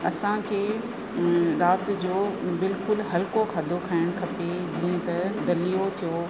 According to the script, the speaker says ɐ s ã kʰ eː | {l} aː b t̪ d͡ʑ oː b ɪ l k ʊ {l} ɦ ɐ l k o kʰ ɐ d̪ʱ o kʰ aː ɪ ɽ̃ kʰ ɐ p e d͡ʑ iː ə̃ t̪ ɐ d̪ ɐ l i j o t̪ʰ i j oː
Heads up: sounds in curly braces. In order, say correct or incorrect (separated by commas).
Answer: incorrect, correct